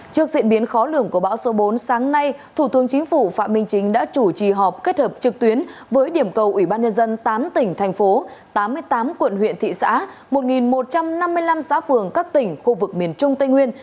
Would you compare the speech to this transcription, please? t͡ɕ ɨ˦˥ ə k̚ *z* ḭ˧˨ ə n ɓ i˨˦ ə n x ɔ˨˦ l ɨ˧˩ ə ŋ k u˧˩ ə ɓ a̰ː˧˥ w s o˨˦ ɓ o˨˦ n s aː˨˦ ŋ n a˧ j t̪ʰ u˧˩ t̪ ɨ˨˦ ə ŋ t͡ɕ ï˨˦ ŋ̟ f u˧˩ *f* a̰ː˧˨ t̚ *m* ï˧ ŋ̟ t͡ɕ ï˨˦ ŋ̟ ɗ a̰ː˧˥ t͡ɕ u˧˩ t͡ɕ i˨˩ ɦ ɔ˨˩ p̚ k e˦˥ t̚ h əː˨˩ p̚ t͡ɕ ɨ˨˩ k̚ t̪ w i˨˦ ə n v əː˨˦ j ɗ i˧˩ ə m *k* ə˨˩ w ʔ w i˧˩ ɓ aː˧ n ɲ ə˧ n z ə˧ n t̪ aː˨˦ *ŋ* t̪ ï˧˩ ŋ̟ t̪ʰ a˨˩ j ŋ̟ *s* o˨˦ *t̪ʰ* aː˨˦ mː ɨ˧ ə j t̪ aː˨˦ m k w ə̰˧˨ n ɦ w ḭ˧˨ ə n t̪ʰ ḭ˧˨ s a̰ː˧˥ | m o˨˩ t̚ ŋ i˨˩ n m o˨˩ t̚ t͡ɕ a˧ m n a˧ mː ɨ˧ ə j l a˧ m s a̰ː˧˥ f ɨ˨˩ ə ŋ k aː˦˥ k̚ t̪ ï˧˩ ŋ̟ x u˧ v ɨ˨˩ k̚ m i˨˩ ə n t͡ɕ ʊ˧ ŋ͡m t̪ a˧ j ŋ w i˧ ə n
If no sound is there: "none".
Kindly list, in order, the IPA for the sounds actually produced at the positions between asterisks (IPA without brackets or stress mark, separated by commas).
z, f, m, k, m, f, t̪